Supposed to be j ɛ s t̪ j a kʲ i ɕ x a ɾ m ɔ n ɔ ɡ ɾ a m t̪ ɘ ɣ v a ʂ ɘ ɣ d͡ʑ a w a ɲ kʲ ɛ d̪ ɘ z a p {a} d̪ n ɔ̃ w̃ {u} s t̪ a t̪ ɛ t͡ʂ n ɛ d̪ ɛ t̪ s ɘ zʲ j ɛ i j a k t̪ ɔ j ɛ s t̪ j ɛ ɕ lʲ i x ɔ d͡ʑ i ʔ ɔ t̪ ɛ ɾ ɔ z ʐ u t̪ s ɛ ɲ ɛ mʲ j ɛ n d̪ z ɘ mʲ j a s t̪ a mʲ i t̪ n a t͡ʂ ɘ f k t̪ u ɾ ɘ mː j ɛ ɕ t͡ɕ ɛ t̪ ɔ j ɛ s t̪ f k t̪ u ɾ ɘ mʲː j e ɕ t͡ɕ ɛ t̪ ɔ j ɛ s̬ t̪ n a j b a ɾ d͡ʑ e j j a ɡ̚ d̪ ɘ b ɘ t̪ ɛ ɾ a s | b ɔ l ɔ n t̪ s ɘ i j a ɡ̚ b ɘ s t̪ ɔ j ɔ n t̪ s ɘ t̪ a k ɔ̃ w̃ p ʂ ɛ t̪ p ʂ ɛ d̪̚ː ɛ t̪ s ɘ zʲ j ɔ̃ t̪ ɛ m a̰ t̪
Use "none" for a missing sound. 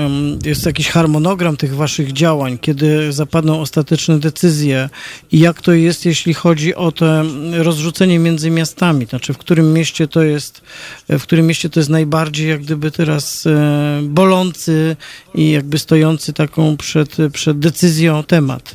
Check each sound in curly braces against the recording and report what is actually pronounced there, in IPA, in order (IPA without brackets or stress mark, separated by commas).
a, ɔ